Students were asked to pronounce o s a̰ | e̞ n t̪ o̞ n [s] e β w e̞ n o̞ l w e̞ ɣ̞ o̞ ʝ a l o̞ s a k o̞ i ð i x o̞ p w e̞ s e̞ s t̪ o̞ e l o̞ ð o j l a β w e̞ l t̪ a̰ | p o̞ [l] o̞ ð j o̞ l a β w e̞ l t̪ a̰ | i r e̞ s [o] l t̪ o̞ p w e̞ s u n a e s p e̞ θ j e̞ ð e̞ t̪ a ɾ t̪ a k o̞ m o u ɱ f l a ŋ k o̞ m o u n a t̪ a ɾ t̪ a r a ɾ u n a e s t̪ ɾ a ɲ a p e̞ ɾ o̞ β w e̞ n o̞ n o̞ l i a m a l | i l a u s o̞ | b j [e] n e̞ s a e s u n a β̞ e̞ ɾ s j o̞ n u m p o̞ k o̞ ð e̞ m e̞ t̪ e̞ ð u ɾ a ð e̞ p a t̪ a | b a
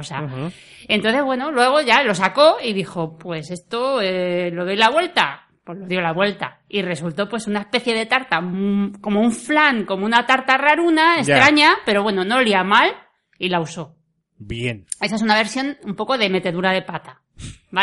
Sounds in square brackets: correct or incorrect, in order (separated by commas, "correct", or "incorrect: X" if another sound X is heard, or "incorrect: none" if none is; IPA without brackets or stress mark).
incorrect: θ, correct, incorrect: u, correct